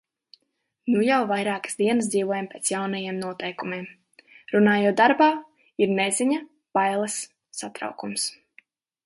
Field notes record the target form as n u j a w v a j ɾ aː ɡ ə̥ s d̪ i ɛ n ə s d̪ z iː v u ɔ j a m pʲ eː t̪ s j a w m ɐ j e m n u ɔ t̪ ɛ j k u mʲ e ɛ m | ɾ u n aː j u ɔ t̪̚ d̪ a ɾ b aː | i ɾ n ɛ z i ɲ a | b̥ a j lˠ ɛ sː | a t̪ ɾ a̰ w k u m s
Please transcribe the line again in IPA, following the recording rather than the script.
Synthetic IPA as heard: n u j a w v a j ɾ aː k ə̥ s d̪ i ɛ n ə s d̪ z iː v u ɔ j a m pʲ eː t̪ s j a w n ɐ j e m n u ɔ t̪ ɛ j k u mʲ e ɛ m | ɾ u n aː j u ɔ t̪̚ d̪ a ɾ b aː | i ɾ n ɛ z i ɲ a | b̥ a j lˠ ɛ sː | a t̪ ɾ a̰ w k u m s